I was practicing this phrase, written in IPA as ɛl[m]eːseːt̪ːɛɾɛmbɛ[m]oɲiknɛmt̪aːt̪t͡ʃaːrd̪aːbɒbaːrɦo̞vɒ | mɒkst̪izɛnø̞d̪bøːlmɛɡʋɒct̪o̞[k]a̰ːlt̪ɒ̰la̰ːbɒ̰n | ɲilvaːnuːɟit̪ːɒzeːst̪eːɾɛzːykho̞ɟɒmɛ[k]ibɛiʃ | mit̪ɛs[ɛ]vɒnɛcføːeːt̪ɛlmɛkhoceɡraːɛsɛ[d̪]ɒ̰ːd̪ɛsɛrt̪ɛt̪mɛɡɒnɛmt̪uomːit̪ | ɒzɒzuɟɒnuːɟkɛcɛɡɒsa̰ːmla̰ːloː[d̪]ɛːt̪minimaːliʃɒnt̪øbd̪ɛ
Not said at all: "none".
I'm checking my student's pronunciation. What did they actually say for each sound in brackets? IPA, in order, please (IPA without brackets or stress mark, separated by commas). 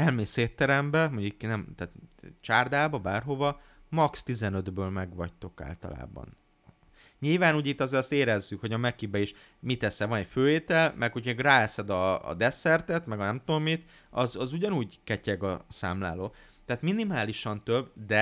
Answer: m, m, k, k, ɛ, d̪, t̪